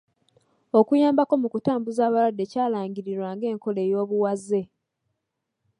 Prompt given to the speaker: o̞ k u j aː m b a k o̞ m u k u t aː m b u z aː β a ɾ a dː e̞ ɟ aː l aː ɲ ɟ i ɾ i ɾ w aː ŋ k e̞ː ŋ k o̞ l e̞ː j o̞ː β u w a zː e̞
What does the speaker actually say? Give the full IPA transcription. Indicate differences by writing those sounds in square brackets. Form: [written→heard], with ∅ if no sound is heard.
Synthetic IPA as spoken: o̞ k u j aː m b a k o̞ m u k u t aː m b u z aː β a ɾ a dː e̞ [ɟ→c] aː l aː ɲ ɟ i ɾ i ɾ w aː ŋ [k→ɡ] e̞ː ŋ k o̞ l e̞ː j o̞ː β u w a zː e̞